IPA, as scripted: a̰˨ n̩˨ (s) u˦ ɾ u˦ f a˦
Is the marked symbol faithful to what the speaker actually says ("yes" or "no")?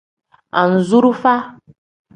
no